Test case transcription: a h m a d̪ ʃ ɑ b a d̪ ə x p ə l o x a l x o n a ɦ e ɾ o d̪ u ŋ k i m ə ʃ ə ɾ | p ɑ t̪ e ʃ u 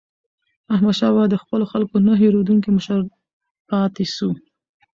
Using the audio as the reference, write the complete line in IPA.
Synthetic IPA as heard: a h m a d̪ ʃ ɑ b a d̪ ə x p ə l o x a l k o n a ɦ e ɾ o d̪ u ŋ k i m ə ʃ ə ɾ | p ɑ t̪ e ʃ u